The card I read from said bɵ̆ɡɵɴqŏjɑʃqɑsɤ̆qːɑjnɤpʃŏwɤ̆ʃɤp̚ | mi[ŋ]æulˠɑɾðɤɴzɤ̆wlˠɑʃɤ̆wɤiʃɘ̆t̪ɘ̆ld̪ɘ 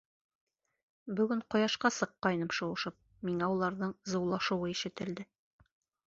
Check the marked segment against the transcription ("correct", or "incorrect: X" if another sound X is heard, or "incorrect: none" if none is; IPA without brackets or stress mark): correct